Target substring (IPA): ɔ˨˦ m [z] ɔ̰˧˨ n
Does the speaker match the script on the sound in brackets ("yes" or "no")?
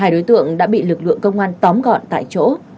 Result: no